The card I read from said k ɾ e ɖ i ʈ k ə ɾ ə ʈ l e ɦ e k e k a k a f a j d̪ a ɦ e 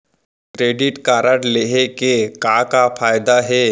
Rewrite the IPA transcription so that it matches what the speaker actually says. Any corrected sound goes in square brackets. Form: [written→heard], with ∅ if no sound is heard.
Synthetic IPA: k ɾ e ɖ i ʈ k [ə→a] ɾ ə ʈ l e ɦ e k e k a k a f a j d̪ a ɦ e